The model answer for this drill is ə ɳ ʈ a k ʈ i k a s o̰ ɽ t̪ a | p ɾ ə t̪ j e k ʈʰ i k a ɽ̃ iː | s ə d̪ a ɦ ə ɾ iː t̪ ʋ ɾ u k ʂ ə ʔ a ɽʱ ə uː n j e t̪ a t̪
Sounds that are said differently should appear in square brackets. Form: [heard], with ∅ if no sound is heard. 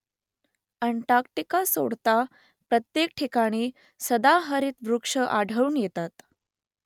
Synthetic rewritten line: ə ɳ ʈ a k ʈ i k a s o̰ ɽ t̪ a | p ɾ ə t̪ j e k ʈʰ i k a ɽ̃ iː | s ə d̪ a ɦ ə ɾ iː t̪ ʋ ɾ u k ʂ ə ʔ a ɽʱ ə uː n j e t̪ a t̪